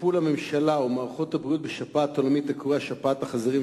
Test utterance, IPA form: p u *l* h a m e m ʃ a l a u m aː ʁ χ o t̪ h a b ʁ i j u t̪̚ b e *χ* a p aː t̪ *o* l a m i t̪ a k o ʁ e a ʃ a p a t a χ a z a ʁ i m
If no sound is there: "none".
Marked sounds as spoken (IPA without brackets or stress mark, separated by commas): l, ʃ, o